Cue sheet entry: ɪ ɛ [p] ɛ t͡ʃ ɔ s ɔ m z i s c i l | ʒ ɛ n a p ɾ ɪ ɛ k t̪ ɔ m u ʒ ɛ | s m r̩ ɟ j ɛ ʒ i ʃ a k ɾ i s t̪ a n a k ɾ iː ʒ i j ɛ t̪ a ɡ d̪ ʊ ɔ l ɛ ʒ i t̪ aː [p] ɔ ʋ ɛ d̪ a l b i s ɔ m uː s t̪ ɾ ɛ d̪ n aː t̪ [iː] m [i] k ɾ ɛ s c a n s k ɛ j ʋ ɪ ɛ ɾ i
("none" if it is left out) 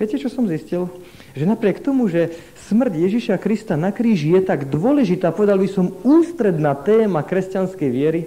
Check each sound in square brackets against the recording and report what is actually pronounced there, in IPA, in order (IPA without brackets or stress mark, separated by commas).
c, p, ɛː, a